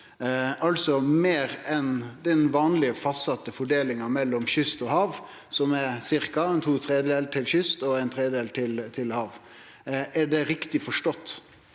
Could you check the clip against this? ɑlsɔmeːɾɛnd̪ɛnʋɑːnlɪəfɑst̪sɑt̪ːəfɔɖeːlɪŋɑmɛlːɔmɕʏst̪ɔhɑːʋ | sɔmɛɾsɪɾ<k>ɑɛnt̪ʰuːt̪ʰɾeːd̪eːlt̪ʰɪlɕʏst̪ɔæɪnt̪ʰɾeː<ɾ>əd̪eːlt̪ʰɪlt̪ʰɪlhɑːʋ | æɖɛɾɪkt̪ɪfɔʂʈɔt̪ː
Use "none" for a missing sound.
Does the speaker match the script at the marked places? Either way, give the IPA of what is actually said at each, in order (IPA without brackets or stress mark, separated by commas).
k, none